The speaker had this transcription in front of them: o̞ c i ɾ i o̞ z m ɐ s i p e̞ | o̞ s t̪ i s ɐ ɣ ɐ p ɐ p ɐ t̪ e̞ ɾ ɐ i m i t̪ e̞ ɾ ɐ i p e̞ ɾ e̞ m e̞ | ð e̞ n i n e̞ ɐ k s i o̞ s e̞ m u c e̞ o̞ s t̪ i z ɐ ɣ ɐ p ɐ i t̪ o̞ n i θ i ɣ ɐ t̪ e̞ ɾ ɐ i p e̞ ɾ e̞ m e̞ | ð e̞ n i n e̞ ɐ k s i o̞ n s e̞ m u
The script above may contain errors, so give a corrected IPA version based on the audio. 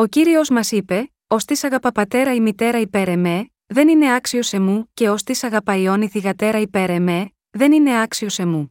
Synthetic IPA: o̞ c i ɾ i o̞ z m ɐ s i p e̞ | o̞ s t̪ i s ɐ ɣ ɐ p ɐ p ɐ t̪ e̞ ɾ ɐ i m i t̪ e̞ ɾ ɐ i p e̞ ɾ e̞ m e̞ | ð e̞ n i n e̞ ɐ k s i o̞ s e̞ m u c e̞ o̞ s t̪ i s ɐ ɣ ɐ p ɐ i o̞ n i θ i ɣ ɐ t̪ e̞ ɾ ɐ i p e̞ ɾ e̞ m e̞ | ð e̞ n i n e̞ ɐ k s i o̞ s e̞ m u